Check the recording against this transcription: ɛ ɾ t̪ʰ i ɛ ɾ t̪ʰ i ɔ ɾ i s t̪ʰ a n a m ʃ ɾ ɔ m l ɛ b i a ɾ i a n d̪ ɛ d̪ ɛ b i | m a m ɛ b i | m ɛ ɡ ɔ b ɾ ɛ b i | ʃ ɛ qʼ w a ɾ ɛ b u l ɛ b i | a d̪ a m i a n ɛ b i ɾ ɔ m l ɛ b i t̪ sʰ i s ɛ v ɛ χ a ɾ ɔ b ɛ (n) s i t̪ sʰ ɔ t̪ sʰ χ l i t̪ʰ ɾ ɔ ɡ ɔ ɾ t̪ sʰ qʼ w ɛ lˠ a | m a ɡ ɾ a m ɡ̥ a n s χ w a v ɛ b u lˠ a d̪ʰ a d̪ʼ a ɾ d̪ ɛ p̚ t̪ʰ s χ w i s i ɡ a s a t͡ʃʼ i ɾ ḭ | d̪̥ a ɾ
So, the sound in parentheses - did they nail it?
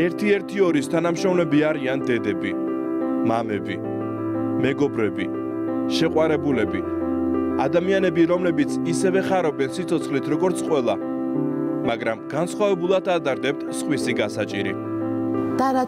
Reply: yes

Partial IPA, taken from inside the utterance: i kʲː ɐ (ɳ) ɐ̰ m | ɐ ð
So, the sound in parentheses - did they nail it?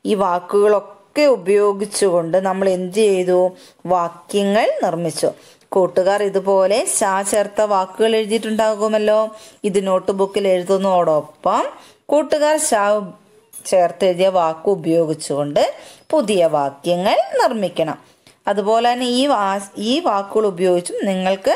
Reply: yes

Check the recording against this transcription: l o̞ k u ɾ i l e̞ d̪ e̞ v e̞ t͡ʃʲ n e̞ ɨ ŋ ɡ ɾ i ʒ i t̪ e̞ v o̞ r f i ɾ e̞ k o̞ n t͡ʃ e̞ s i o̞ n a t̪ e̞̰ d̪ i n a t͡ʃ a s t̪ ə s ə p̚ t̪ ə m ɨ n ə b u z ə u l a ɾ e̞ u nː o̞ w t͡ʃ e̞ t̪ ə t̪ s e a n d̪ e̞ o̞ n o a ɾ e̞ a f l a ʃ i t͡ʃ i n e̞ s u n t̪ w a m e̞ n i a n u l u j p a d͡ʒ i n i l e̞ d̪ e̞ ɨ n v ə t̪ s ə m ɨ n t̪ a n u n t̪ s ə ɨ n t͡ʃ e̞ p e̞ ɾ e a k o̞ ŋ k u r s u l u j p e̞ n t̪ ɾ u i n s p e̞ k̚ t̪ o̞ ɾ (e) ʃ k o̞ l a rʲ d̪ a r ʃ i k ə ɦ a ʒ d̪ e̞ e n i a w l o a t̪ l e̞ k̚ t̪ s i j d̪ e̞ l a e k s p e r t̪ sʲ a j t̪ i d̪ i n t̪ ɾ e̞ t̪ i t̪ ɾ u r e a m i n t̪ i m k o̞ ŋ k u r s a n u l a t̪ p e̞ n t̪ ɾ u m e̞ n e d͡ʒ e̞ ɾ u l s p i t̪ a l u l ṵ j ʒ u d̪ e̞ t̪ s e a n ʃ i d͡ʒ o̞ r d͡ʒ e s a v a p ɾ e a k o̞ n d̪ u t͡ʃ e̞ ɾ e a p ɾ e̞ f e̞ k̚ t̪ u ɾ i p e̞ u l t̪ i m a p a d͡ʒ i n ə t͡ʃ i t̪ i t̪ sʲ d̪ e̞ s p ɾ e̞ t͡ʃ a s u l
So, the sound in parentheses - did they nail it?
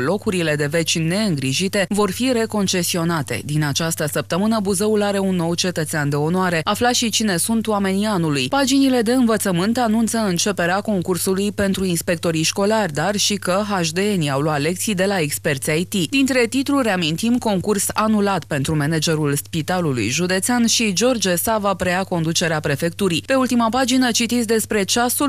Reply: no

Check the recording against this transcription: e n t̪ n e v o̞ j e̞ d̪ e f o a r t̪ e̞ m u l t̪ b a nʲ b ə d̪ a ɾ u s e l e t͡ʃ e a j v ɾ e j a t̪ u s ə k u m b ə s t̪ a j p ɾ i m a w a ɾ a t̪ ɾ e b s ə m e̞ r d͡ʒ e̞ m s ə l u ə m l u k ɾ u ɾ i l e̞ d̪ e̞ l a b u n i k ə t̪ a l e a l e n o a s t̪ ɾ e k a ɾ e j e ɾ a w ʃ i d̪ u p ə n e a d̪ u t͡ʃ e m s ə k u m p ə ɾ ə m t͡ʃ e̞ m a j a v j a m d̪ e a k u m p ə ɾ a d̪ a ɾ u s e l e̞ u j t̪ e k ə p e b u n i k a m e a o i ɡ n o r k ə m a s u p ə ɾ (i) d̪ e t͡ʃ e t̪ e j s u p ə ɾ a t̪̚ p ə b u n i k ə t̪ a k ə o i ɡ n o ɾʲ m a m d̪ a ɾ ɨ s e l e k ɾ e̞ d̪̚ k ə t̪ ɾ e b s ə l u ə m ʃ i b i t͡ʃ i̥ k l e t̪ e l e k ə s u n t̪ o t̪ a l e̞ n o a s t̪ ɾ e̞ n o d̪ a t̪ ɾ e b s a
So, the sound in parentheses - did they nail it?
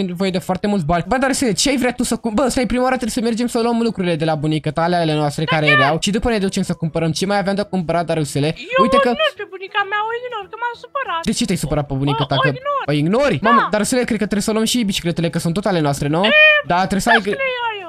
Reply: no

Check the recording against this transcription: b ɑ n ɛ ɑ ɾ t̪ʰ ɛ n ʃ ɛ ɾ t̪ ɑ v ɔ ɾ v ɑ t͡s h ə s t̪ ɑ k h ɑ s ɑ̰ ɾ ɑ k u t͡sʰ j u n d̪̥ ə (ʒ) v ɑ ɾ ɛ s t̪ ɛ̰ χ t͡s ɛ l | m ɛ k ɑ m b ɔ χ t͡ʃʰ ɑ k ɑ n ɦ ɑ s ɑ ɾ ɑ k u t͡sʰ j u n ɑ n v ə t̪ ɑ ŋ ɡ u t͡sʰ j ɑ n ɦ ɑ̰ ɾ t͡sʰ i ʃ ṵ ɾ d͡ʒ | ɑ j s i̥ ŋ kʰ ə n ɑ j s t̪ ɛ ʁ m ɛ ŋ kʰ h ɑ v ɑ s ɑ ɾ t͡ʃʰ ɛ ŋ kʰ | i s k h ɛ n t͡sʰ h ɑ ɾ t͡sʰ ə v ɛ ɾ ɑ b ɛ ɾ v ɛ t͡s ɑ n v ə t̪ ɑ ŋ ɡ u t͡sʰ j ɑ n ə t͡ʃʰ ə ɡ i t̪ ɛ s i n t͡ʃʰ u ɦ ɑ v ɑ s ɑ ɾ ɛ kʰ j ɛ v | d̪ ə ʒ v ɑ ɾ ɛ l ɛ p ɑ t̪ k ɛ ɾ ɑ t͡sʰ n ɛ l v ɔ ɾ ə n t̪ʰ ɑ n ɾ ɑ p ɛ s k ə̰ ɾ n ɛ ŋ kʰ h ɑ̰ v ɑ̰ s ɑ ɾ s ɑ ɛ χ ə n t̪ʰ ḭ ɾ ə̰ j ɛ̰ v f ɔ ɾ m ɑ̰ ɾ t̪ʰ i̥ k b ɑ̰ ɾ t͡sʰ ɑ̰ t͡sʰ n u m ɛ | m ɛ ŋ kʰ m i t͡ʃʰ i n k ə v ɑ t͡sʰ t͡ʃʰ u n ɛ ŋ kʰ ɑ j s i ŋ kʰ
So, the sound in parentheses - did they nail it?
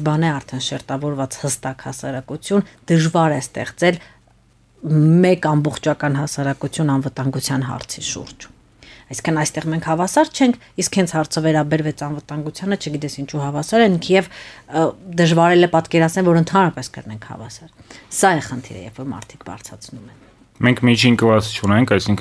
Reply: yes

